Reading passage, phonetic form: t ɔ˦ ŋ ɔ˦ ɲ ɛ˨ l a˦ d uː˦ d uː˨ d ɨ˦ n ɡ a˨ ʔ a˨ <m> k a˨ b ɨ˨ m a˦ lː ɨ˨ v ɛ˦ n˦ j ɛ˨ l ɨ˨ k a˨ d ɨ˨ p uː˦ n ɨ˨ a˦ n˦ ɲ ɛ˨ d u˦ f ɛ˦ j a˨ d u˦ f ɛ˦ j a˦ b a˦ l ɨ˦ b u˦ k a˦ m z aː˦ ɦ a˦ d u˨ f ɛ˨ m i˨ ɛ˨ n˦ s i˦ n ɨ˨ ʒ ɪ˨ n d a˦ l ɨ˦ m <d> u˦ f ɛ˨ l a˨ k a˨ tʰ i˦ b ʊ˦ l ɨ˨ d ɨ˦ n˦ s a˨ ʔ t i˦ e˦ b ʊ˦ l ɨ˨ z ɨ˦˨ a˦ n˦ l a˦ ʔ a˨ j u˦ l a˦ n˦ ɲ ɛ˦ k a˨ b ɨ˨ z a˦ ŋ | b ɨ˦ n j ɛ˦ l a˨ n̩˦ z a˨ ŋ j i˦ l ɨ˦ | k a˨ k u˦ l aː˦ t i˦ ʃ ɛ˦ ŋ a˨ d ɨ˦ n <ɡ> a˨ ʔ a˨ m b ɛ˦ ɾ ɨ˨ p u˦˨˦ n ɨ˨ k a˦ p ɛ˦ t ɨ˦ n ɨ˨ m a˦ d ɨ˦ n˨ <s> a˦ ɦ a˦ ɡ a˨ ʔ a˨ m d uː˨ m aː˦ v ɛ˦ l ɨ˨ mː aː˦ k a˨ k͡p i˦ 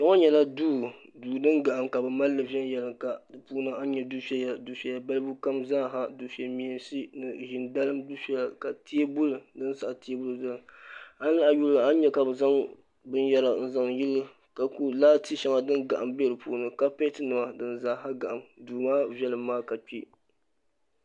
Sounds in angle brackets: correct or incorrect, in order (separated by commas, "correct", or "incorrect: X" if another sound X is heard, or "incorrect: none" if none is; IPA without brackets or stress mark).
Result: correct, correct, correct, incorrect: z